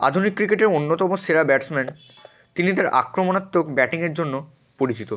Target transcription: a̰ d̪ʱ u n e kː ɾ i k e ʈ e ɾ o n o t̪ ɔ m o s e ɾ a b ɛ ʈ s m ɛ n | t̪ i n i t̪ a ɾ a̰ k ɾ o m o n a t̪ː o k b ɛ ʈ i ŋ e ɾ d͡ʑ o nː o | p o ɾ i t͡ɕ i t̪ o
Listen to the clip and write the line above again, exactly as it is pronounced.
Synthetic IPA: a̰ d̪ʱ u n i kː ɾ i k e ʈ e ɾ o nː o t̪ ɔ m o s e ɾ a b ɛ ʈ s m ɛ n | t̪ i n i t̪ a ɾ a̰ k ɾ o m o n a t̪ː o k b ɛ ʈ i ŋ e ɾ d͡ʑ o nː o | p o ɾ i t͡ɕ i t̪ o